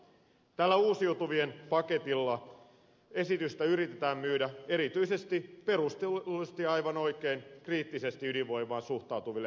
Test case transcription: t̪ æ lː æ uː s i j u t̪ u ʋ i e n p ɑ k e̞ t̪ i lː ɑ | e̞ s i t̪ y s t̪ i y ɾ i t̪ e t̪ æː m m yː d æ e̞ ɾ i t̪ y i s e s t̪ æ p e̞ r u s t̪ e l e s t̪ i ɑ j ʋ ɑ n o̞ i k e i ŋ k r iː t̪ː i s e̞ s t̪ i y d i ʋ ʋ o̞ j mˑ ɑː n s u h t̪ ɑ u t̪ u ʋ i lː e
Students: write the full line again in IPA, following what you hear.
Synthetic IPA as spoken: t̪ æ lː æ uː s i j u t̪ u ʋ i e n p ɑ k e̞ t̪ i lː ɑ | e̞ s i t̪ y s t̪ æ y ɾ i t̪ e t̪ æː m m yː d æ e̞ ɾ i t̪ y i s e s t̪ i p e̞ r u s t̪ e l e s t̪ i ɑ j ʋ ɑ n o̞ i k e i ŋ k r iː t̪ː i s e̞ s t̪ i y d i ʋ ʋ o̞ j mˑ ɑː n s u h t̪ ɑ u t̪ u ʋ i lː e

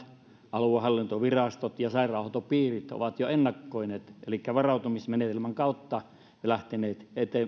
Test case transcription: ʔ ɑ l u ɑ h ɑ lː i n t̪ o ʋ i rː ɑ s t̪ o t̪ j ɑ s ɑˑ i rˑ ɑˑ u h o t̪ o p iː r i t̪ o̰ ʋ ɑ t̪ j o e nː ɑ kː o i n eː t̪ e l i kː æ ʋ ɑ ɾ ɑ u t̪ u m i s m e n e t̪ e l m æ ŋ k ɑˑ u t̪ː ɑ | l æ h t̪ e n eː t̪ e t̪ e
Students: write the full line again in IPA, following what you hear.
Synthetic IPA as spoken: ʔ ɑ l u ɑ h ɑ lː i n t̪ o ʋ i r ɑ s t̪ o t̪ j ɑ s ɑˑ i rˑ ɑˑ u h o t̪ o p iː r i t̪ o̰ ʋ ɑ t̪ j o e nː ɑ kː o i n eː t̪ e l i kː æ ʋ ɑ r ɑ u t̪ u m i s m e n e t̪ e l m æ ŋ k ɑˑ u t̪ː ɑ | l æ h t̪ e n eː t̪ e t̪ e

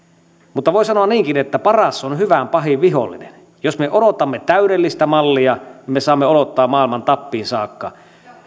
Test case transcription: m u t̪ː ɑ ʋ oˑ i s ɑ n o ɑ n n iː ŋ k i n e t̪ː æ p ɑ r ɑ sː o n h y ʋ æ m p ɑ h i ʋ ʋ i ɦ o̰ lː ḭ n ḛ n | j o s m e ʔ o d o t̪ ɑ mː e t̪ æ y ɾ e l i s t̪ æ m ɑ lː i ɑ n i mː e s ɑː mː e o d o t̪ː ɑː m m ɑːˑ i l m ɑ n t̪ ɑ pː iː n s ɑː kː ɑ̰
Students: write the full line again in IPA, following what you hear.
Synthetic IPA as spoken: m u t̪ː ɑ ʋ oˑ i s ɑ n o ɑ n n iː ŋ k i n e t̪ː æ p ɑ r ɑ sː o n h y ʋ æ m p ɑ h i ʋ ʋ i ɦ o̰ lː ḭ n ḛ n | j o s m e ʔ o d o t̪ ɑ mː e t̪ æ y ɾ e lː i s t̪ æ m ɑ lː i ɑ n i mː e s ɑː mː e o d o t̪ː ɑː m m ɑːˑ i l m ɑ n t̪ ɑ pː iː n s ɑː kː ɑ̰

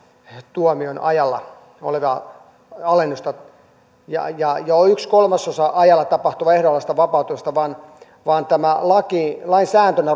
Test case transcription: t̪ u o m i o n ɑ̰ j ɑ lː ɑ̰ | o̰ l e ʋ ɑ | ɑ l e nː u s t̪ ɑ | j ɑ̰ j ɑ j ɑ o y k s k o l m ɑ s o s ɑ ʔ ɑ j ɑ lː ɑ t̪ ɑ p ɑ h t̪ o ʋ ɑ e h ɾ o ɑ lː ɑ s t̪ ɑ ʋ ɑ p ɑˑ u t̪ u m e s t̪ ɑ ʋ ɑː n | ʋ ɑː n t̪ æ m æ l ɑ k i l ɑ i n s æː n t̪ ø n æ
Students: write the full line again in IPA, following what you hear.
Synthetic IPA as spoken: t̪ u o m i o n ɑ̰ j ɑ lː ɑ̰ | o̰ l e ʋ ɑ | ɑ l e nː u s t̪ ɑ | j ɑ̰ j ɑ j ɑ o y k s k o l m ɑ s o s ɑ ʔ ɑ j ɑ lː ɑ t̪ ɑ p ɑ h t̪ u ʋ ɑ e h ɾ o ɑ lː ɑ s t̪ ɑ ʋ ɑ p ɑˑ u t̪ u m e s t̪ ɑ ʋ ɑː n | ʋ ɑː n t̪ æ m æ l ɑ k i l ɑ i n s æː n t̪ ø n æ

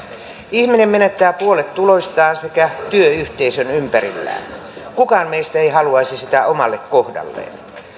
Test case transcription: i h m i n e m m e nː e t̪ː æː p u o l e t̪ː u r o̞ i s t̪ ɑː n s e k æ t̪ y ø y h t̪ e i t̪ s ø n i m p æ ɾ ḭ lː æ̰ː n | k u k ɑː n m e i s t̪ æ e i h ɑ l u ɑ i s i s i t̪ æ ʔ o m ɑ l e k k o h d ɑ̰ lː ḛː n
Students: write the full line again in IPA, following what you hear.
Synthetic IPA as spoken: i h m i n e m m e n e t̪ː æː p u o l e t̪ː u l o̞ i s t̪ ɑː n s e k æ t̪ y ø y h t̪ e i s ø n y m p æ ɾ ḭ lː æ̰ː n | k u k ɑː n m e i s t̪ æ e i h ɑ l u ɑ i s i s i t̪ æ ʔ o m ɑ lː e k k o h d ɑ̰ lː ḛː n

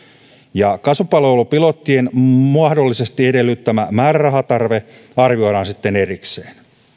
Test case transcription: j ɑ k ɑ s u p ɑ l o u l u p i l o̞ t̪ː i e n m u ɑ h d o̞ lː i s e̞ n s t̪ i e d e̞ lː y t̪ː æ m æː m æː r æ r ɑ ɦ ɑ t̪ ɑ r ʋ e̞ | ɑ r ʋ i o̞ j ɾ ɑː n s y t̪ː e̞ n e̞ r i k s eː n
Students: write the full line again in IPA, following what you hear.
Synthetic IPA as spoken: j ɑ k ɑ s u p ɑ l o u l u p i l o̞ t̪ː i e n m u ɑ h d o̞ lː i s e̞ s t̪ i e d e̞ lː y t̪ː æ m æ m æː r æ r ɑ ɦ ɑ t̪ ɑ r ʋ e̞ | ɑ r ʋ i o̞ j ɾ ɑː n s i t̪ː e̞ n e̞ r i k s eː n

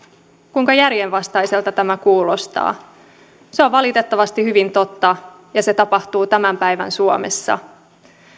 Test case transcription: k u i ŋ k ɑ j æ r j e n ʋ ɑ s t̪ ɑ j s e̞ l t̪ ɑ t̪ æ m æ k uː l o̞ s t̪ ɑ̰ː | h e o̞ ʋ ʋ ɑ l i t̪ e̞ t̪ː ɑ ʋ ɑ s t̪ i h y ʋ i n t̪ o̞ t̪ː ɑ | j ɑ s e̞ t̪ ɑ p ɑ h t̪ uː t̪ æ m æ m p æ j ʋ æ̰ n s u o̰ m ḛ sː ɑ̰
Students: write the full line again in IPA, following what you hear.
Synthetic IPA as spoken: k u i ŋ k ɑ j æ r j e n ʋ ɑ s t̪ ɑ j s e̞ l t̪ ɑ t̪ æ m æ k uː l o̞ s t̪ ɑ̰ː | s e o̞ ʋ ʋ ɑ l i t̪ e̞ t̪ː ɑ ʋ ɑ s t̪ i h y ʋ i n t̪ o̞ t̪ː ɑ | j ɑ s e̞ t̪ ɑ p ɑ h t̪ uː t̪ æ m æ m p æ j ʋ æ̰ n s u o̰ m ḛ sː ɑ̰

